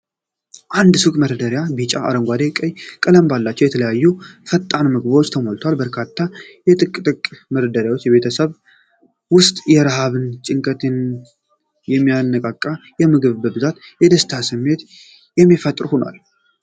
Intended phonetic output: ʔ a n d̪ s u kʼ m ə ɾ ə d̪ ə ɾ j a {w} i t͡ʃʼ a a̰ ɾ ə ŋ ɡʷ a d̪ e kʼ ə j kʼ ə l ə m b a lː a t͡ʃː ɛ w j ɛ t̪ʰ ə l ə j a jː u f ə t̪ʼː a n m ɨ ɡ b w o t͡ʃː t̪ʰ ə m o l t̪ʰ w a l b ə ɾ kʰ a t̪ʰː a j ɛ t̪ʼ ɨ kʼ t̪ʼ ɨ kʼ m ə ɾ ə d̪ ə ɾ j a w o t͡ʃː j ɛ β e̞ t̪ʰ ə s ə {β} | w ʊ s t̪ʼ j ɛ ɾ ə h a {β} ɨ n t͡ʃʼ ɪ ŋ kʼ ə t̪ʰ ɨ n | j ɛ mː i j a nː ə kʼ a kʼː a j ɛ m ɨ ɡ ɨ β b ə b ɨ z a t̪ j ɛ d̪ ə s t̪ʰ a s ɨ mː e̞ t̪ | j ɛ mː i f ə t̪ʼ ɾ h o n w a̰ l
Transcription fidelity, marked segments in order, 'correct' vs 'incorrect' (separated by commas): incorrect, correct, correct